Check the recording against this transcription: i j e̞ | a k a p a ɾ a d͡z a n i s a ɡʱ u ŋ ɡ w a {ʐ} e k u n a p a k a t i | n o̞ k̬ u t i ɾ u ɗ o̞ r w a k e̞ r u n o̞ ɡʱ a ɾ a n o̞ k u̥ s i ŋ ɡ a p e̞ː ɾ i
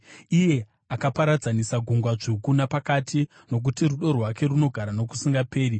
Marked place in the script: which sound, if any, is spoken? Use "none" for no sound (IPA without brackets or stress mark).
ʐ